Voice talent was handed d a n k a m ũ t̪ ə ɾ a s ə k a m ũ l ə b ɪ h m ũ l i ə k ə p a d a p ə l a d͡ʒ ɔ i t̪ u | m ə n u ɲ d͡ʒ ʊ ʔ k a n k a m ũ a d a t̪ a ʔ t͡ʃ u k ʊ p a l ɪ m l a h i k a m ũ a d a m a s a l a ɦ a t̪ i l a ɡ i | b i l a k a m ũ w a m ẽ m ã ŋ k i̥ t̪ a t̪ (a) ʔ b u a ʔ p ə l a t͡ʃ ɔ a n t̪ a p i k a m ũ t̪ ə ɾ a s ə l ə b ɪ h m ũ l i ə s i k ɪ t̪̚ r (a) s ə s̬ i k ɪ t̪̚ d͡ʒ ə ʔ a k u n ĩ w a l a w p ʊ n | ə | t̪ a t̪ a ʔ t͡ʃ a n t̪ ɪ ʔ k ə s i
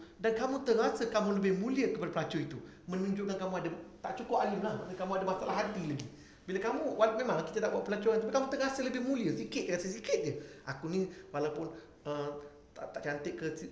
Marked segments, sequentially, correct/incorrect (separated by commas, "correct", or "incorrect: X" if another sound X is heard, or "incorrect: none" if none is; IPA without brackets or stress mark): correct, correct